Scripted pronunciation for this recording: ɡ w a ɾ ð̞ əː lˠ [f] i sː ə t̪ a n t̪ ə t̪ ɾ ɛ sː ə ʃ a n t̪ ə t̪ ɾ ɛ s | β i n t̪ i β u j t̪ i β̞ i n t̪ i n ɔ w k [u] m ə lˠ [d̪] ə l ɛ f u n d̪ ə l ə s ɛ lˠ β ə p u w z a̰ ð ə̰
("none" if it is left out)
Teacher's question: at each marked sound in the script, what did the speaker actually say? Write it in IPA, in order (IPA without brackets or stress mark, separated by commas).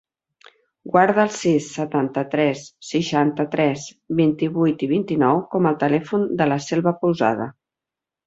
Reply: s, ɔ, t̪